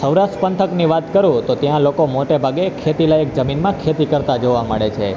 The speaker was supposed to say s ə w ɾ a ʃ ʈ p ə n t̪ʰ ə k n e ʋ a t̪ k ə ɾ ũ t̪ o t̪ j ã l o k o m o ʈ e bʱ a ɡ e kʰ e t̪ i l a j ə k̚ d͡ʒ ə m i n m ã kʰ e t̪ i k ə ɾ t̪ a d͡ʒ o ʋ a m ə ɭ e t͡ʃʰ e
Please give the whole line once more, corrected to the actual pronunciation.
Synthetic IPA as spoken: s ə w ɾ a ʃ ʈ p ə n t̪ʰ ə k n i ʋ a t̪ k ə ɾ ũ t̪ o t̪ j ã l o k o m o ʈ e bʱ a ɡ e kʰ e t̪ i l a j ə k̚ d͡ʒ ə m i n m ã kʰ e t̪ i k ə ɾ t̪ a d͡ʒ o ʋ a m ə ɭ e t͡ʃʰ e